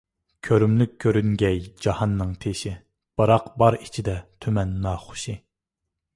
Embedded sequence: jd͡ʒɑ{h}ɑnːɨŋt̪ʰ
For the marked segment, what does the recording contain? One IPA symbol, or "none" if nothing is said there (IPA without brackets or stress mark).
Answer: h